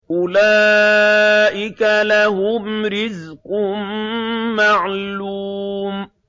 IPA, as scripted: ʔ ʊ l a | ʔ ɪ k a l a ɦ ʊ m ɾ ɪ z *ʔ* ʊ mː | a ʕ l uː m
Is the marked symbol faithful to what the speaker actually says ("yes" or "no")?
no